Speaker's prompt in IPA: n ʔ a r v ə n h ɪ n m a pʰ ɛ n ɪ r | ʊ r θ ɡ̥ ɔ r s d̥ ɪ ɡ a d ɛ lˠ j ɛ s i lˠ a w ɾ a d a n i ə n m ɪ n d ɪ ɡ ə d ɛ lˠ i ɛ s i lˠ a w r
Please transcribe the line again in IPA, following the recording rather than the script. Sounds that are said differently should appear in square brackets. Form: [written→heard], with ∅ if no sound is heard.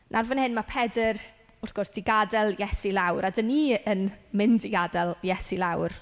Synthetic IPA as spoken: n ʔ a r v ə n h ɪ n m a pʰ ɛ [n→d] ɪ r | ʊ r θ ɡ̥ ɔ r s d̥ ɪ ɡ a d ɛ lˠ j ɛ s i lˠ a w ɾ a d [a→ə] n i ə n m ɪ n d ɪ ɡ [ə→a] d ɛ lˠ [i→j] ɛ s i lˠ a w r